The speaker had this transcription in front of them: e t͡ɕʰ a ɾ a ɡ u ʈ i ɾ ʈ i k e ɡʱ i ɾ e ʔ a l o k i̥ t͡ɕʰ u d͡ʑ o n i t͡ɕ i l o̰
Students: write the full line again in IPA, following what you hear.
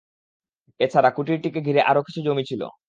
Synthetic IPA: e t͡ɕʰ a ɾ a k u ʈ i ɾ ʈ i k e ɡʱ i ɾ e ʔ a ɾ o k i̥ t͡ɕʰ u d͡ʑ o m i t͡ɕʰ i l o̰